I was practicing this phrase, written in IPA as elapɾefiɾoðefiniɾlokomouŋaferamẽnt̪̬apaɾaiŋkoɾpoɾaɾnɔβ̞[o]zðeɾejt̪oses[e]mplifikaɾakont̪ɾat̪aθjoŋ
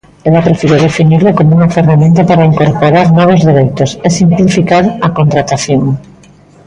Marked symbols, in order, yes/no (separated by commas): yes, no